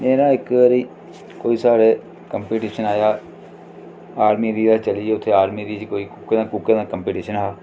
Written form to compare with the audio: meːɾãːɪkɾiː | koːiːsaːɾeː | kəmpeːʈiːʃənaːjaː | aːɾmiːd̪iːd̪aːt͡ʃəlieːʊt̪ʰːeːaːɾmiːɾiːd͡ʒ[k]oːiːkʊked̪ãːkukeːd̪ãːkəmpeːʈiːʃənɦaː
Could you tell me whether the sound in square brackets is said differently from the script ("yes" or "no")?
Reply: no